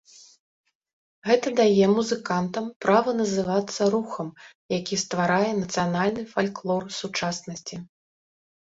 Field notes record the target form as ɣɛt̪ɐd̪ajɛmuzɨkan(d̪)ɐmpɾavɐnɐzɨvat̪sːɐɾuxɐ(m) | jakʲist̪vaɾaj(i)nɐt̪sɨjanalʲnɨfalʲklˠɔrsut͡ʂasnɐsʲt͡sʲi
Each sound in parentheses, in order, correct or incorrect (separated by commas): incorrect, correct, incorrect